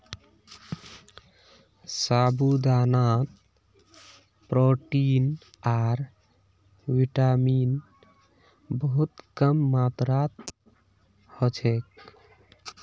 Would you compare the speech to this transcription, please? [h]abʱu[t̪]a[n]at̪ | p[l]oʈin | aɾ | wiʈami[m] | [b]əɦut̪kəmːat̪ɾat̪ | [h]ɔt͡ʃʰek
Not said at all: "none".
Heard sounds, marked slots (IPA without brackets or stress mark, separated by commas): s, d̪, n, ɾ, n, b, h